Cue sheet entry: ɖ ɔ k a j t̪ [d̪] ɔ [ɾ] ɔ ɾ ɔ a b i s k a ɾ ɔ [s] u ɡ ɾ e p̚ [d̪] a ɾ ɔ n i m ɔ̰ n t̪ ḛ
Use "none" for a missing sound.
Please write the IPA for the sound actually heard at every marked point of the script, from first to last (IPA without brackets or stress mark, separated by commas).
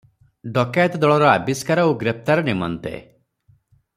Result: d̪, ɭ, none, t̪